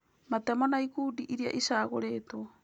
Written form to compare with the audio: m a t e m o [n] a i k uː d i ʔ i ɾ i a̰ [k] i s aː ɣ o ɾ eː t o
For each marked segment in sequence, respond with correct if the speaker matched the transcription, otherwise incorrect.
correct, incorrect

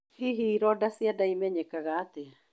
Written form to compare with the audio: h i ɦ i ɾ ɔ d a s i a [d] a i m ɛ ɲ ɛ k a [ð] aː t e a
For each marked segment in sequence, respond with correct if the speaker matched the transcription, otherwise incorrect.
correct, incorrect

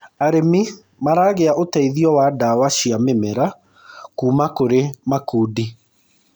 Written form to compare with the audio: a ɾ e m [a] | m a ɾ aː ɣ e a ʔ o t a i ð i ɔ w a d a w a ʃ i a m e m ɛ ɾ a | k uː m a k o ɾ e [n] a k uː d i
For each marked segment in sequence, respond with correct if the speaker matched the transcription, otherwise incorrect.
incorrect, incorrect

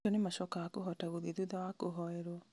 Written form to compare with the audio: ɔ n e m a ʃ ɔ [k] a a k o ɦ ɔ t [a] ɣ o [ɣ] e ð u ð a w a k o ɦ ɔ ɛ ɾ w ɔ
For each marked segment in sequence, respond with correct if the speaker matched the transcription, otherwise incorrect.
correct, correct, incorrect

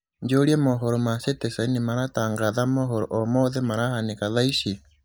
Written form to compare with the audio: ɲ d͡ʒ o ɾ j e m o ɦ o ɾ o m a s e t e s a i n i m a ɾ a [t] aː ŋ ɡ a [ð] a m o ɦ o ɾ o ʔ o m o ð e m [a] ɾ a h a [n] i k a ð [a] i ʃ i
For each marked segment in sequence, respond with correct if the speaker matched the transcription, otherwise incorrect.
correct, correct, correct, correct, correct

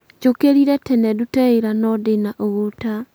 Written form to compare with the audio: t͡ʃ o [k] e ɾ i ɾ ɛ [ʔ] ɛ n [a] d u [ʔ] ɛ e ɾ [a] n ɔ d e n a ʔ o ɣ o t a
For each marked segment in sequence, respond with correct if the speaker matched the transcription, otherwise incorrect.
correct, incorrect, incorrect, incorrect, correct

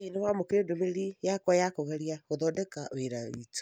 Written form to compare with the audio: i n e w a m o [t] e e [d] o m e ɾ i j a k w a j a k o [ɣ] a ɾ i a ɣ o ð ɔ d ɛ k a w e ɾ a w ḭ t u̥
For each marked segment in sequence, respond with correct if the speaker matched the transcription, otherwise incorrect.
incorrect, correct, correct

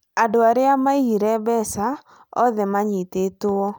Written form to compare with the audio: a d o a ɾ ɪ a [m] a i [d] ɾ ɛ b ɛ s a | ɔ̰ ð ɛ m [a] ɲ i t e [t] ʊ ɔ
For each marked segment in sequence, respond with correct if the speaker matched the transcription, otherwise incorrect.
correct, incorrect, correct, correct

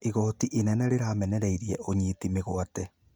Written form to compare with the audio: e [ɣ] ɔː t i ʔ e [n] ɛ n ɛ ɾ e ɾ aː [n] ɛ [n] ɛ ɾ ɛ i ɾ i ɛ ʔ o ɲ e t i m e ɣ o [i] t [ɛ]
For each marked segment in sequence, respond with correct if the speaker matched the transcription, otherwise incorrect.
correct, correct, incorrect, correct, incorrect, correct

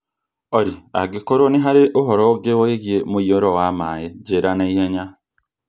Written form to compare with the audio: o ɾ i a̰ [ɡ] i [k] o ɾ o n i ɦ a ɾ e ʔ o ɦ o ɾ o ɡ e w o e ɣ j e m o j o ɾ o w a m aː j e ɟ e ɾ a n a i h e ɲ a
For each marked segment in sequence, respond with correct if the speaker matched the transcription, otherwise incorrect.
correct, correct

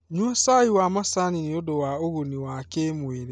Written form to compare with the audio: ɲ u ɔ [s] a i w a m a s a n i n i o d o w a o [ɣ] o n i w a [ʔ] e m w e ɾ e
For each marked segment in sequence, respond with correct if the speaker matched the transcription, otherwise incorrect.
correct, correct, incorrect

